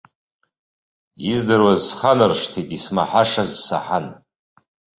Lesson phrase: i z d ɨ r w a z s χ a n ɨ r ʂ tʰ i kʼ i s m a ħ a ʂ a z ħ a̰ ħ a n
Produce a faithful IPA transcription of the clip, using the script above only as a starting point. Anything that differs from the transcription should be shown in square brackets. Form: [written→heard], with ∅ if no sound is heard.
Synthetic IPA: i z d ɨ r w a z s χ a n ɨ r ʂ tʰ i [kʼ→tʼ] i s m a ħ a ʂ a z [ħ→s] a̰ ħ a n